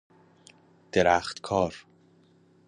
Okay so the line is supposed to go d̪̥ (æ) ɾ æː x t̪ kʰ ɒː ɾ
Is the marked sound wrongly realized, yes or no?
yes